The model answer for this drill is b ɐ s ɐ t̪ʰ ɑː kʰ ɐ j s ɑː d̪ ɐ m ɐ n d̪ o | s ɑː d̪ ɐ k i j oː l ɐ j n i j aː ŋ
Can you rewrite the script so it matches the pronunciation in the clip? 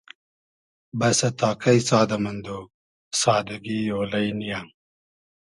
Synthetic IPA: b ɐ s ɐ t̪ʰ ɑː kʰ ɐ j s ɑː d̪ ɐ m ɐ n d̪ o | s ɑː d̪ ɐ ɡ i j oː l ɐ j n i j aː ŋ